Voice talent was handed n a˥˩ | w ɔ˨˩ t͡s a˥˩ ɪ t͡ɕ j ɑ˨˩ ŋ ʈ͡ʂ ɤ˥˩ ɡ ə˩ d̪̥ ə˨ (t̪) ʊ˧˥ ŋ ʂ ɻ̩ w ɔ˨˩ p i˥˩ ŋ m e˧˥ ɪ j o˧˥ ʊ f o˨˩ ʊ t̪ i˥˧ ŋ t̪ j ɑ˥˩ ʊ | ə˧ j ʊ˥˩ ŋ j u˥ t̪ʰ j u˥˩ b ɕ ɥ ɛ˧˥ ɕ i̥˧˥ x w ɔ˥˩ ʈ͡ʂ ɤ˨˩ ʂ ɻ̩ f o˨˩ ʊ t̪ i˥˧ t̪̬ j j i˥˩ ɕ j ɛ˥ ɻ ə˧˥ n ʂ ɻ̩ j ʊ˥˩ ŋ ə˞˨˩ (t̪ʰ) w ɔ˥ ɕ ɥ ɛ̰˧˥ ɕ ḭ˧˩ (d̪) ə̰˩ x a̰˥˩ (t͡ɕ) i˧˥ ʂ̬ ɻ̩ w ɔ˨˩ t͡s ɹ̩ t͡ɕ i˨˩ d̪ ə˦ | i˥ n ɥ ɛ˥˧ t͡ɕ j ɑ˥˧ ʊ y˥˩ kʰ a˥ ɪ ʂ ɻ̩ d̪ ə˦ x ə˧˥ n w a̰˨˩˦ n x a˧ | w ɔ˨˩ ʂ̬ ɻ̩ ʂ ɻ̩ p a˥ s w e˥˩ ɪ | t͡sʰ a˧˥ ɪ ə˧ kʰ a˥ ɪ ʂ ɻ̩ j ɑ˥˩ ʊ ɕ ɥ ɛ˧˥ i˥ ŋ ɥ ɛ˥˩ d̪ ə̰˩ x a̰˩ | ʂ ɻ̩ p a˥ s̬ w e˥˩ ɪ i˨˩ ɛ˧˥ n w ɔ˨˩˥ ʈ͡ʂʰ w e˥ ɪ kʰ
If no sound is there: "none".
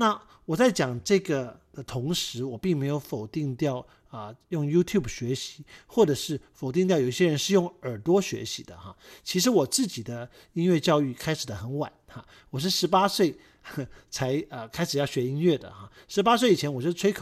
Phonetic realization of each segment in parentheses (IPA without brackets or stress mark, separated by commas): t̪ʰ, t̪, d̪, t͡ɕʰ